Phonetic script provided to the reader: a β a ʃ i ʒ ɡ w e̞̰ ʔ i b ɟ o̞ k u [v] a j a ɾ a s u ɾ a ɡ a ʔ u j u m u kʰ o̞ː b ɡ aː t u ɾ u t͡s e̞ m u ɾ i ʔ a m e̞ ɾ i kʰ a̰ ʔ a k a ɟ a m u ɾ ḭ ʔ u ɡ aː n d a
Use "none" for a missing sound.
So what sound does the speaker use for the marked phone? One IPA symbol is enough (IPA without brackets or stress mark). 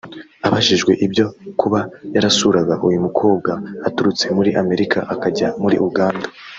β